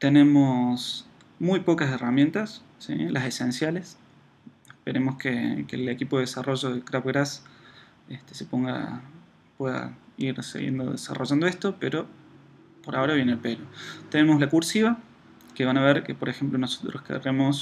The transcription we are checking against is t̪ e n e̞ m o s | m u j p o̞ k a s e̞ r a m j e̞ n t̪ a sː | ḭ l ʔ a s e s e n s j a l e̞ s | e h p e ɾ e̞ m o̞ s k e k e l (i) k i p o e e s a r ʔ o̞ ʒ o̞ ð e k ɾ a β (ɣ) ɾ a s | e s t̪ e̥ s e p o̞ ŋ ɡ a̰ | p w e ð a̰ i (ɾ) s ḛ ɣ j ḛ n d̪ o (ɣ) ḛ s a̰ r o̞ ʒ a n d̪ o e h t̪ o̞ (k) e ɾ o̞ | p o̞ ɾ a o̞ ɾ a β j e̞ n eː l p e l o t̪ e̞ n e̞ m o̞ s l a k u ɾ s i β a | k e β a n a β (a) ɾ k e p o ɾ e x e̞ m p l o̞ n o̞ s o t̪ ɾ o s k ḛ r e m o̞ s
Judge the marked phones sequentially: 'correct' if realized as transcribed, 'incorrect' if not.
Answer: incorrect: e, correct, correct, incorrect: ð, incorrect: p, incorrect: e

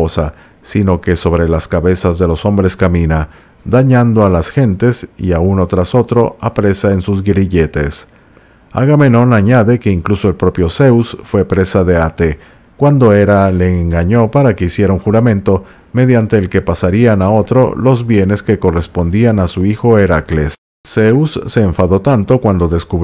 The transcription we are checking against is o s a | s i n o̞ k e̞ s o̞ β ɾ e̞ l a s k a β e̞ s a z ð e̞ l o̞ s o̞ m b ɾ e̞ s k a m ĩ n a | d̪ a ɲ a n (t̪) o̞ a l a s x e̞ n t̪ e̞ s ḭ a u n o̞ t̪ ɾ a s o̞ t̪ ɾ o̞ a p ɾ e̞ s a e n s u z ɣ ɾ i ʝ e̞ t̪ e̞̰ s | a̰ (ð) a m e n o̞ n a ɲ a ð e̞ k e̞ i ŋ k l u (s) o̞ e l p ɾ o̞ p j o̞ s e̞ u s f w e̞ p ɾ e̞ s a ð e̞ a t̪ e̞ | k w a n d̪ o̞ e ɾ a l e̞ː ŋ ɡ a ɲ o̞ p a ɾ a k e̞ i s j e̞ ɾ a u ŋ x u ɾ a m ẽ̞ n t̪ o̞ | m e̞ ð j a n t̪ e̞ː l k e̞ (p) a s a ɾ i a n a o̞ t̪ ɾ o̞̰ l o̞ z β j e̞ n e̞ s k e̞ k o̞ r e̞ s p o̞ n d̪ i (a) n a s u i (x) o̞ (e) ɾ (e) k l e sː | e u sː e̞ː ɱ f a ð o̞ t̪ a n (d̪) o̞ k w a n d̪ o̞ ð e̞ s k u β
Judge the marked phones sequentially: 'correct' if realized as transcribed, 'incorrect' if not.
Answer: incorrect: d̪, incorrect: ɣ, correct, correct, correct, correct, correct, incorrect: a, incorrect: t̪

